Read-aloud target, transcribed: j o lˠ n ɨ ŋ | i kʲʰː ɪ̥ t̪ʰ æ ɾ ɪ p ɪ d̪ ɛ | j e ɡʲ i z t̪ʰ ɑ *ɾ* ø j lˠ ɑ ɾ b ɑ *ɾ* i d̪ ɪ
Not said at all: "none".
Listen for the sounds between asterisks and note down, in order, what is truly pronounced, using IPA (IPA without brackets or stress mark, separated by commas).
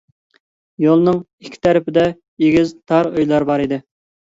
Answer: ɾ, ɾ